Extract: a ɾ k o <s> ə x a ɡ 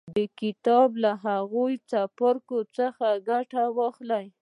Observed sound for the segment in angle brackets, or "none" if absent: t͡s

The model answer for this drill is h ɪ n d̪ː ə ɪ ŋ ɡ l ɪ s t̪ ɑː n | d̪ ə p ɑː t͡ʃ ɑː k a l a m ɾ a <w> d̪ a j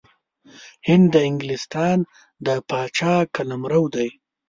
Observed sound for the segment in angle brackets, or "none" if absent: w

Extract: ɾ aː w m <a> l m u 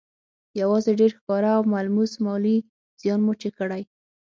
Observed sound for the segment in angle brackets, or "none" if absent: a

